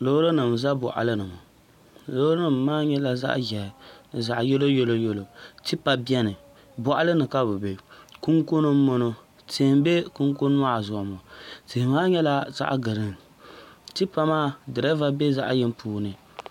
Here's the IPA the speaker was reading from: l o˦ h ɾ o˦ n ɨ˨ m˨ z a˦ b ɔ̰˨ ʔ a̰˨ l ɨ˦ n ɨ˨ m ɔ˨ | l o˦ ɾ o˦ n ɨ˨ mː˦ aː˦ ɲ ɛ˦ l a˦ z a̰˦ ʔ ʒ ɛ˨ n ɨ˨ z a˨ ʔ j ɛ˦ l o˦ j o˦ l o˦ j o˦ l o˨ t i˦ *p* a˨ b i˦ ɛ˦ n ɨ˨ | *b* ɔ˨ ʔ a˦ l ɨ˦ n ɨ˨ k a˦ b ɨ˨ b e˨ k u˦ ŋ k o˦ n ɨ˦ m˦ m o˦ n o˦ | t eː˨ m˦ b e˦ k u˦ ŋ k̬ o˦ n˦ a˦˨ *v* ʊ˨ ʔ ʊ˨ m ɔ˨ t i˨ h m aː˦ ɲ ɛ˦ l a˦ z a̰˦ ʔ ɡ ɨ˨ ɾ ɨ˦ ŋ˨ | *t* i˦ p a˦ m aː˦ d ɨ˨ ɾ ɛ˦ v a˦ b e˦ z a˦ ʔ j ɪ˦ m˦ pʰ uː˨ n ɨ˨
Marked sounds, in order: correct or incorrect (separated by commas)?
correct, correct, incorrect, correct